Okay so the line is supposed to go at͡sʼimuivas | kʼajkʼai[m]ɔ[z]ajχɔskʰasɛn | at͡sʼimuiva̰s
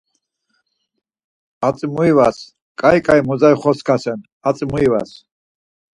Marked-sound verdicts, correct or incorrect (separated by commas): correct, correct